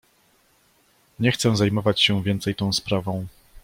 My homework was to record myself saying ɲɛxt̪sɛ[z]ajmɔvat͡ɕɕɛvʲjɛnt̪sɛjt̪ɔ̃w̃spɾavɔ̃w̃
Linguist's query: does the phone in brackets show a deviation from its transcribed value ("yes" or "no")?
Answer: no